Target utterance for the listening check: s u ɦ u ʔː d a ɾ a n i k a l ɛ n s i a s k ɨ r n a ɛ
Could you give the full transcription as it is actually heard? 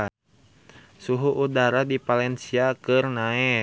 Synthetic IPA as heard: s u ɦ u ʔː d a ɾ a d i p a l ɛ n s i a k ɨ r n a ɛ